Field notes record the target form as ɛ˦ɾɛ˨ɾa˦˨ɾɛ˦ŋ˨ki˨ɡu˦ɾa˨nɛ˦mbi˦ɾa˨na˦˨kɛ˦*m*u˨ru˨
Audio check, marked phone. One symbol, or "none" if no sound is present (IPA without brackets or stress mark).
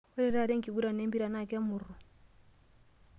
m